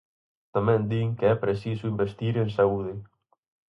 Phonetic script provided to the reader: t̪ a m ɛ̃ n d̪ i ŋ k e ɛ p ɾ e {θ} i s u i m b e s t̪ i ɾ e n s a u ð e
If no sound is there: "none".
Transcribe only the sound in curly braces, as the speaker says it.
s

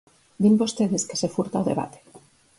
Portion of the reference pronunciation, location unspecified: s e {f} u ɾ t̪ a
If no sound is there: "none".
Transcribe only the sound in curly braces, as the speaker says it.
f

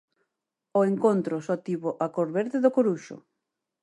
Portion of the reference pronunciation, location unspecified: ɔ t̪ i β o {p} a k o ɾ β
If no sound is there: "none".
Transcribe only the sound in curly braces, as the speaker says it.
ʔ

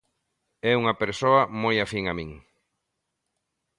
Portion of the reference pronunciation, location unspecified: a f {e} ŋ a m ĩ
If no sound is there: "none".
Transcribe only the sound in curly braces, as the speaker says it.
i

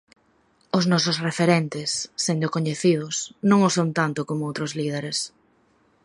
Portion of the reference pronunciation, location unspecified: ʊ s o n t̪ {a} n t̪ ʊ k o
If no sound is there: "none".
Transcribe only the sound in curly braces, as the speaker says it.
a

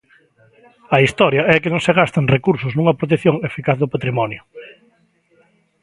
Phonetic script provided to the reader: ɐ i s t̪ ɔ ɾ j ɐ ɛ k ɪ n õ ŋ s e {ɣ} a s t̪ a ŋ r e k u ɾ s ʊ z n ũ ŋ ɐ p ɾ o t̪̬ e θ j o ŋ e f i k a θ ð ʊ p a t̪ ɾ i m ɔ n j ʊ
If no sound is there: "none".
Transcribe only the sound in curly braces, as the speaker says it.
ɣ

